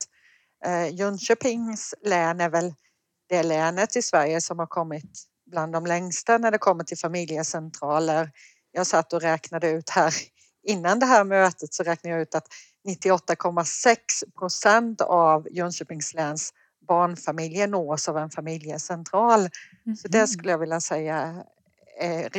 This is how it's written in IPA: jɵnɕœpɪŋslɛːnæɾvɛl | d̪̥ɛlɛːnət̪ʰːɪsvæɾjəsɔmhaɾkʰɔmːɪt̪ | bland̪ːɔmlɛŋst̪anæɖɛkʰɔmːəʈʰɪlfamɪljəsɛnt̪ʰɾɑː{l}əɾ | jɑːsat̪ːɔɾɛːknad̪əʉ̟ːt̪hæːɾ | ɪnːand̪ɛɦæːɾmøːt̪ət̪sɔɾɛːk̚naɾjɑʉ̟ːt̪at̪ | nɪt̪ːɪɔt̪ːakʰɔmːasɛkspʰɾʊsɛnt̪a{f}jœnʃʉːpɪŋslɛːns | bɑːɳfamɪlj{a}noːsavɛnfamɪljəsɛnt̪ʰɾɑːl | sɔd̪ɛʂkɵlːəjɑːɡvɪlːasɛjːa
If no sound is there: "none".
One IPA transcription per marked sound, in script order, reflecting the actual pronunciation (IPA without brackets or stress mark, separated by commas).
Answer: l, v, ə